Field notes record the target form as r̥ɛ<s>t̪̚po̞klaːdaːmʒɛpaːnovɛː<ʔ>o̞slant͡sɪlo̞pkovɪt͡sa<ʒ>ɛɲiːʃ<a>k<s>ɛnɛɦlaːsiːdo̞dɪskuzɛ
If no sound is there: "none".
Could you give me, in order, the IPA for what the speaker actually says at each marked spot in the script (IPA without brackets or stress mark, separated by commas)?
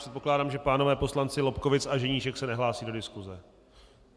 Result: none, p, ʒ, ɛ, s